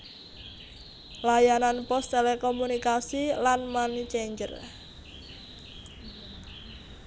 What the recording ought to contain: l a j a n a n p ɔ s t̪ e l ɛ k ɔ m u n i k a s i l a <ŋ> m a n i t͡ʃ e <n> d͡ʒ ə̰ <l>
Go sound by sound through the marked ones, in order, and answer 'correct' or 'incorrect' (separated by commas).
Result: incorrect, incorrect, incorrect